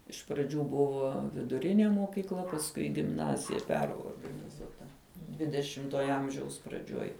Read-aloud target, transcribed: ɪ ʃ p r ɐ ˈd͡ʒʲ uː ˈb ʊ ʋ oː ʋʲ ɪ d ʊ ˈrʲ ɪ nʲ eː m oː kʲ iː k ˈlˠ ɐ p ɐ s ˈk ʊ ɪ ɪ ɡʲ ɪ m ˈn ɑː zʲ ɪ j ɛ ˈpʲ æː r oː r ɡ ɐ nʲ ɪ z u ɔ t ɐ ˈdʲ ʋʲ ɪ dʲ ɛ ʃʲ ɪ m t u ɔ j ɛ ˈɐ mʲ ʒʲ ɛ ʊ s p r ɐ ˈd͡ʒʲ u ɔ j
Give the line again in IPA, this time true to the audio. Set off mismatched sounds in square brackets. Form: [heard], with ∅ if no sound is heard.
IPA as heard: ɪ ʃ p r ɐ ˈd͡ʒʲ uː ˈb ʊ ʋ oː ʋʲ ɪ d ʊ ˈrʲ ɪ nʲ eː m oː kʲ iː k ˈlˠ ɐ p ɐ s ˈk ʊ ɪ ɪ ɡʲ ɪ m ˈn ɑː zʲ ɪ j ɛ ˈpʲ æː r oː r ɡ ɐ nʲ ɪ z u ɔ t ɐ ˈdʲ ʋʲ ɪ dʲ ɛ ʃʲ ɪ m t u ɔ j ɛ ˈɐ mʲ ʒʲ ɛ ʊ s p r ɐ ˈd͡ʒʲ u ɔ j